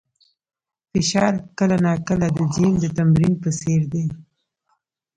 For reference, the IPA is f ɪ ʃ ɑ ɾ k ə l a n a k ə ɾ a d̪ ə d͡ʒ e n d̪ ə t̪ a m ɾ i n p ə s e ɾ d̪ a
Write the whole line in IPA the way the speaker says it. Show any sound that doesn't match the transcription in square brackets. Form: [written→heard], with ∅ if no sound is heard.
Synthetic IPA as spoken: f ɪ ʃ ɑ ɾ k ə l a n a k ə [ɾ→l] a d̪ ə d͡ʒ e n d̪ ə t̪ a m ɾ i n p ə s e ɾ d̪ [a→e]